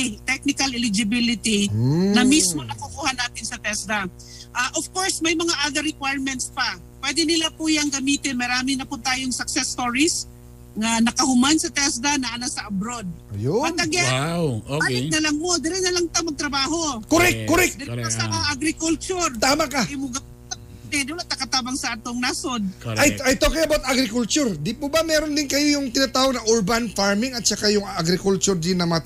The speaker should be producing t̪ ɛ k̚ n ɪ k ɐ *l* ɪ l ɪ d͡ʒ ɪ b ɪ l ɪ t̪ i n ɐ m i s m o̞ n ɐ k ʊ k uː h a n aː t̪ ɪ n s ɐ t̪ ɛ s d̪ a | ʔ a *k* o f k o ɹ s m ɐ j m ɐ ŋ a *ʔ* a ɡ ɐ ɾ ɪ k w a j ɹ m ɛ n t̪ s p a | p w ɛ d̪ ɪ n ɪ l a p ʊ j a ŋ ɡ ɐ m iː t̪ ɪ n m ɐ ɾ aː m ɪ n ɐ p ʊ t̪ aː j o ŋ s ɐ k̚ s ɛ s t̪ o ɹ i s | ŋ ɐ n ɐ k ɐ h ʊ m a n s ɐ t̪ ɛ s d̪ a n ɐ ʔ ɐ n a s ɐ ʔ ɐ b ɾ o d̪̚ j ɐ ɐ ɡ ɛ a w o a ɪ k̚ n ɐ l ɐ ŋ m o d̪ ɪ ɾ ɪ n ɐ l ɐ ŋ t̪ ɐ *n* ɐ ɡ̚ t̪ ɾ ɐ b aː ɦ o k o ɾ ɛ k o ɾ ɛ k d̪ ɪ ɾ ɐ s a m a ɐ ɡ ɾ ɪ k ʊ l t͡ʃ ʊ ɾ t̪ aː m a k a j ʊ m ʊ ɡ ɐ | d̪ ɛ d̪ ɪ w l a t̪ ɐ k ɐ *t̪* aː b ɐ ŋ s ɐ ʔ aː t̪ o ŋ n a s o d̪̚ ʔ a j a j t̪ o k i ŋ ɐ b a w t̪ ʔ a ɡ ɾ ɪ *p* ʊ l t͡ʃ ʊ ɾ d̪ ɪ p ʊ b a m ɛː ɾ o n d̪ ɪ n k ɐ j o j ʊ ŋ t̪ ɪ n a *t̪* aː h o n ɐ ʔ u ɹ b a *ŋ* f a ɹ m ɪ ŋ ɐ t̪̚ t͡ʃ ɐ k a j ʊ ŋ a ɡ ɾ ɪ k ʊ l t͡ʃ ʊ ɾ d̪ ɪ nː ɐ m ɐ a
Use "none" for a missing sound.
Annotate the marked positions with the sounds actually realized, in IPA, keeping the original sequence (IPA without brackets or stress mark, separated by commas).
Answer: l, ʔ, ʔ, m, t̪, k, t̪, n